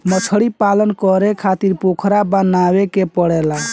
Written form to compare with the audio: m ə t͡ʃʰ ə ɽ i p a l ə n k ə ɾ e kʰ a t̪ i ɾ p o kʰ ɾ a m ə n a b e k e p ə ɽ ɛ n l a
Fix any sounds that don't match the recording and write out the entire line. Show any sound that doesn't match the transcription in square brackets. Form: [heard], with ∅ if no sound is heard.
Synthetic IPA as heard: m ə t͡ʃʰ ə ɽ i p a l ə n k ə ɾ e kʰ a t̪ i ɾ p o kʰ ɾ a [b] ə n a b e k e p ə ɽ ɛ [∅] l a